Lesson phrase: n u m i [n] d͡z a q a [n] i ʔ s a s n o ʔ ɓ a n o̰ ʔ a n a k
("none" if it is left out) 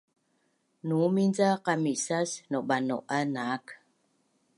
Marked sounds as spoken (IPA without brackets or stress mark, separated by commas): n, m